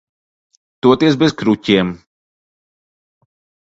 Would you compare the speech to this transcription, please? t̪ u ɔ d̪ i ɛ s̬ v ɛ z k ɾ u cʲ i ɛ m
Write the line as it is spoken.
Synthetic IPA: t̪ u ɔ t̪ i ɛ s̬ b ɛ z k ɾ u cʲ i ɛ m